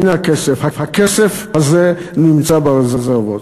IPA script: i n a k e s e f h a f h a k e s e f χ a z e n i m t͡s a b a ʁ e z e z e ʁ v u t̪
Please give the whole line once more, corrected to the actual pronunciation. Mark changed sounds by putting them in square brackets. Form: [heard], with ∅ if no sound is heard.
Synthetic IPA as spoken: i n a k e s e f h a f h a k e s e f [h] a z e n i m t͡s a b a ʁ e z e z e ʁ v [o] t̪

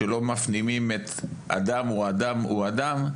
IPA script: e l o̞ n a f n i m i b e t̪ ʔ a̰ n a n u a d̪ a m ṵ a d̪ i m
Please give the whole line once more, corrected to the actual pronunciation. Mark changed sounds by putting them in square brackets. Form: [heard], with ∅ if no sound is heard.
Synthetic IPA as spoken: e l o̞ [m] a f n i m i [m] e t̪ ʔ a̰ [d] a [m] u a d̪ a m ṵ a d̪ [a] m

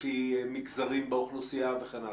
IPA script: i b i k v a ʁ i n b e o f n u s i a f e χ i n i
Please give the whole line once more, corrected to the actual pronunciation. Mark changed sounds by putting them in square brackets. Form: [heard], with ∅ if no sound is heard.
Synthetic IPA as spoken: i [m] i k [z] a ʁ i [m] b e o [χ] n u s i a [v] e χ [e] n [a]

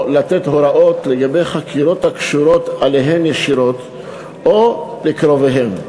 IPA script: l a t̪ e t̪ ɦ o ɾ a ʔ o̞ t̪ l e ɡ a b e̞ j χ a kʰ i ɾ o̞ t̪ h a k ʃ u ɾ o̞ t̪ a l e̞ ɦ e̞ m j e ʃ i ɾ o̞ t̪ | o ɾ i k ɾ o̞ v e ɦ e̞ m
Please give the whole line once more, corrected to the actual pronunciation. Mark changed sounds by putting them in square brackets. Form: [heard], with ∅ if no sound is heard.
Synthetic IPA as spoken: l a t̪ e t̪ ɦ o ɾ a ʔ o̞ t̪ l e ɡ a b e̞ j χ a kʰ i ɾ o̞ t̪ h a k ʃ u ɾ o̞ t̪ a l e̞ ɦ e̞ m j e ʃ i ɾ o̞ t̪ | o [l] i k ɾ o̞ v e ɦ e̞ m

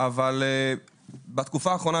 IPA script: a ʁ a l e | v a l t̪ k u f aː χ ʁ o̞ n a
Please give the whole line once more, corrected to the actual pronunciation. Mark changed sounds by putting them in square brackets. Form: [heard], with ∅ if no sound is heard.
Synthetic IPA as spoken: a [v] a l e | [b] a [∅] t̪ k u f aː χ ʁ o̞ n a

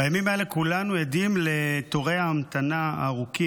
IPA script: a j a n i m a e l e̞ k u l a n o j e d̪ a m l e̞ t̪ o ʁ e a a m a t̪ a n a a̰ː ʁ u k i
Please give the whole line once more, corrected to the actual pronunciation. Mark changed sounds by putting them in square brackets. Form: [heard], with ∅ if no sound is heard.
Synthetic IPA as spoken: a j a [m] i m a e l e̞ k u l a n [u] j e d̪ [i] m l e̞ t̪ o ʁ e a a m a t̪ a n a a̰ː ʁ u k i

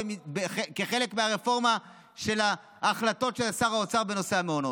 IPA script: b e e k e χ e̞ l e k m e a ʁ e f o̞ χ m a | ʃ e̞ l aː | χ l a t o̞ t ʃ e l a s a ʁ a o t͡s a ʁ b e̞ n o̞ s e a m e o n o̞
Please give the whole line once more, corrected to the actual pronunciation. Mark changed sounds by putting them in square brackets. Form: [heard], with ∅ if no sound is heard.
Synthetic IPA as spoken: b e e k e χ e̞ l e k m e a ʁ e f o̞ [ʁ] m a | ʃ e̞ l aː | χ l a t o̞ t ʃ e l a s a ʁ a o t͡s a ʁ b e̞ n o̞ s e a m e o n o̞

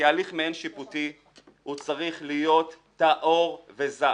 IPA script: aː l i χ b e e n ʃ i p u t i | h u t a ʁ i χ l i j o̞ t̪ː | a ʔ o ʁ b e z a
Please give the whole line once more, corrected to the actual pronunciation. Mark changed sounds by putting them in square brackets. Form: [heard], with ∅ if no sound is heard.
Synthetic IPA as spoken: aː l i χ [m] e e n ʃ i p u t i | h u [t͡s] a ʁ i χ l i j o̞ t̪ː | a ʔ o ʁ [v] e z a

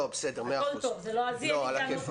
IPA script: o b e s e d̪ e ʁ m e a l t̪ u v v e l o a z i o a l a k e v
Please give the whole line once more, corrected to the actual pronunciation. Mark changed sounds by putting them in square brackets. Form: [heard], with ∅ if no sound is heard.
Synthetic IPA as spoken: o b e s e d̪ e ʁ m e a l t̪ [o] v [z] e l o a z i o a l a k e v

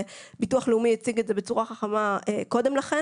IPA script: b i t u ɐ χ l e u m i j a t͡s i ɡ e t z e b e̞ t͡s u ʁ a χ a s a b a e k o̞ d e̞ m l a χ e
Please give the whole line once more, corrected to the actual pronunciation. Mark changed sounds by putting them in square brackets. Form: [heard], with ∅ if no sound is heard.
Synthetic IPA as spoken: b i t u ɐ χ l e u m i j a t͡s i ɡ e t z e b e̞ t͡s u ʁ a χ a [χ] a [m] a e k o̞ d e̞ m l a χ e

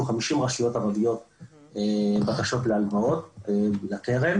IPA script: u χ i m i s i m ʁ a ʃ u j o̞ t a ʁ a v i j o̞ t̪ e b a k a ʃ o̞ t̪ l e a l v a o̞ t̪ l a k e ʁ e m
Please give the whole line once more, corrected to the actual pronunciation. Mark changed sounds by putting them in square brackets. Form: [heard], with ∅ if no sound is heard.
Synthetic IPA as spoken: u χ [a] m i [ʃ] i m ʁ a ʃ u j o̞ t a ʁ a v i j o̞ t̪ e b a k a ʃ o̞ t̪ l e a l v a o̞ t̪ l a k e ʁ e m

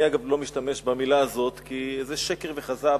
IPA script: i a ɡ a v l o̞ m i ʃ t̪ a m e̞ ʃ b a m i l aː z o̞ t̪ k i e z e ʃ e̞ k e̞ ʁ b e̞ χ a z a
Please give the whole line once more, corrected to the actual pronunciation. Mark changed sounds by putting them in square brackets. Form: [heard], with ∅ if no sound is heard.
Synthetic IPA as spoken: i a ɡ a v l o̞ m i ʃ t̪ a m e̞ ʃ b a m i l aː z o̞ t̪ k i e z e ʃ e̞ k e̞ ʁ [v] e̞ χ a z a

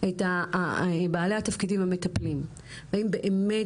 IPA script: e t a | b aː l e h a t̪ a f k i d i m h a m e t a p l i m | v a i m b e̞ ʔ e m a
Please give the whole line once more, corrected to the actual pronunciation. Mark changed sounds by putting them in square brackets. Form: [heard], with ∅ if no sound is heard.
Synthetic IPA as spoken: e t a | b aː l e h a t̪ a f k i d i m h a m e t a p l i m | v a i m b e̞ ʔ e m [e]

